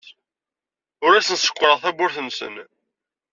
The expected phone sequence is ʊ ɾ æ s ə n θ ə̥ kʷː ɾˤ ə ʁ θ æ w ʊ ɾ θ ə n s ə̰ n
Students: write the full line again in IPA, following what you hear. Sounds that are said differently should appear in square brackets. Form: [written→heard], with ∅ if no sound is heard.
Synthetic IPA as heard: ʊ ɾ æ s ə n [θ→s] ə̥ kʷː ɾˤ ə ʁ θ æ [w→b] ʊ ɾ θ ə n s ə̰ n